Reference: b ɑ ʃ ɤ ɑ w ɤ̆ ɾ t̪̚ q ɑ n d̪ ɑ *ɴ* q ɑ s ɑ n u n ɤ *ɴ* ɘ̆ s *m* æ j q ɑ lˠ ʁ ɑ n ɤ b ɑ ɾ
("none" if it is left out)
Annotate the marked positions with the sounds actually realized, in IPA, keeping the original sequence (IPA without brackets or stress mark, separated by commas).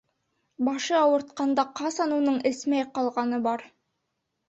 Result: none, ɴ, m